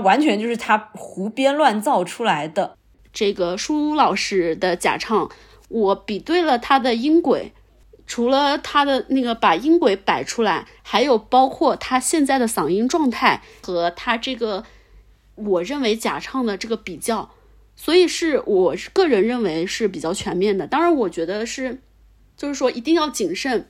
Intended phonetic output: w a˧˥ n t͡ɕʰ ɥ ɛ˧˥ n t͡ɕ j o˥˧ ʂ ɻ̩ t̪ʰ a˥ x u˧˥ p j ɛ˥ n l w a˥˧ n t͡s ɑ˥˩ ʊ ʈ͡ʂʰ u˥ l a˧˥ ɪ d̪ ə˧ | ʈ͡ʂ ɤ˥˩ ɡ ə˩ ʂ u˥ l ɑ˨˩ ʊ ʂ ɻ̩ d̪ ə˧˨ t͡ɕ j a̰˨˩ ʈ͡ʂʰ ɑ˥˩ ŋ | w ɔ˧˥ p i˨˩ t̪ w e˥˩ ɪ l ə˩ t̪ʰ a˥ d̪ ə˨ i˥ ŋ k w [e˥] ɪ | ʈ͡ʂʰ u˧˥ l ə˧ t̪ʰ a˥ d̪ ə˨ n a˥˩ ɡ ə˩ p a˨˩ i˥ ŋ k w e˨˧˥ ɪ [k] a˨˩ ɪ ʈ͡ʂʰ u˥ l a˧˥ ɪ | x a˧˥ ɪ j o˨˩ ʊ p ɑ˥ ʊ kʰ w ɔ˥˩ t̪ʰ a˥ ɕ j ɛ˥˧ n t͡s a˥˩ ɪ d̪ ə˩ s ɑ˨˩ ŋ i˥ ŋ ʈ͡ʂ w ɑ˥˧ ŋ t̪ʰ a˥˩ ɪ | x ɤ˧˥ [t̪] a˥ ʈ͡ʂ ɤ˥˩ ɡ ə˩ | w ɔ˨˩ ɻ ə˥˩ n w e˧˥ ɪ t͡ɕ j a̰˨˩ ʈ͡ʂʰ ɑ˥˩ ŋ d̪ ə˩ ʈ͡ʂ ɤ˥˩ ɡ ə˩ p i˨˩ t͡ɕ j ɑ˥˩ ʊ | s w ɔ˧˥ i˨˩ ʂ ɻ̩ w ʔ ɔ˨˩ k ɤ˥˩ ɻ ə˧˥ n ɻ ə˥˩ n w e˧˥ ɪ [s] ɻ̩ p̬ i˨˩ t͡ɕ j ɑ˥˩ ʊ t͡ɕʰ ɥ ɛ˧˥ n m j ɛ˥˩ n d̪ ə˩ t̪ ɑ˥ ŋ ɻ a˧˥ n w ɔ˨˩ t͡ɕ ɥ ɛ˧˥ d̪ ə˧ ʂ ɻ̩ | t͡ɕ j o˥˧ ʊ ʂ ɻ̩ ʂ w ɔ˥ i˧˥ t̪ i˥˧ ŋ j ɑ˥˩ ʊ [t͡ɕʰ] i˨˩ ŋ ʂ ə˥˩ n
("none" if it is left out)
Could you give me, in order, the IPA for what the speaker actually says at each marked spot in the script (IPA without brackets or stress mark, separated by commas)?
e˨˩˦, p, t̪ʰ, ʂ, t͡ɕ